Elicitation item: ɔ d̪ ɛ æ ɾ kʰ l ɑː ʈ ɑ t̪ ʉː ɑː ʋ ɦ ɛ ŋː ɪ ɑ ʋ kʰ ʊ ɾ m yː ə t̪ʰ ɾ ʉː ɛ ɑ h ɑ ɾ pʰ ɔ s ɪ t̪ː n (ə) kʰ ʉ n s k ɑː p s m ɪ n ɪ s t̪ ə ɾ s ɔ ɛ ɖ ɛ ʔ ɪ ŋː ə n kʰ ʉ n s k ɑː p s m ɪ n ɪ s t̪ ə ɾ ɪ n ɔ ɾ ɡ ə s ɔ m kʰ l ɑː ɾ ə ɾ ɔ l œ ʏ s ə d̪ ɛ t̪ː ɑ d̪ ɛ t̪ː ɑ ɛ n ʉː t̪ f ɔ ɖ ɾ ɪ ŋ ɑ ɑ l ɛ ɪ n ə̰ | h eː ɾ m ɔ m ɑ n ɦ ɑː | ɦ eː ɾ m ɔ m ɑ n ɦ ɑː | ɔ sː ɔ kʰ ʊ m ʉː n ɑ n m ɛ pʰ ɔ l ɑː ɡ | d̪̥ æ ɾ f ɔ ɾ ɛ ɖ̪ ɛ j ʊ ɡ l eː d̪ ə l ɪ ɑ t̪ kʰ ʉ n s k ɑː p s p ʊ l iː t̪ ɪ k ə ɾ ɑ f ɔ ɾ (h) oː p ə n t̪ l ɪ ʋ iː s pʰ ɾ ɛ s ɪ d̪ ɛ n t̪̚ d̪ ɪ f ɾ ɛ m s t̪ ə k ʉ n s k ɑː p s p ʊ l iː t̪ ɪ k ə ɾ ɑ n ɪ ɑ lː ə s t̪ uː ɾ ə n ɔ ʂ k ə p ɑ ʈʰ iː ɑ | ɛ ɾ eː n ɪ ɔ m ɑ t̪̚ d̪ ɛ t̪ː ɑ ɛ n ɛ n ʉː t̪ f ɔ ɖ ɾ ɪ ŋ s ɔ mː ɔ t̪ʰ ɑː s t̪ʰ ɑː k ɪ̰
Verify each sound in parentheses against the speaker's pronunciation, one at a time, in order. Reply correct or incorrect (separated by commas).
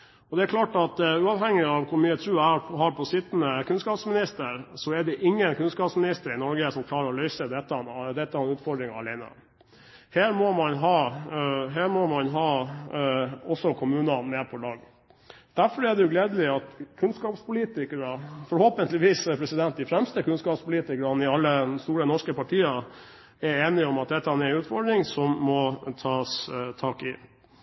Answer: correct, correct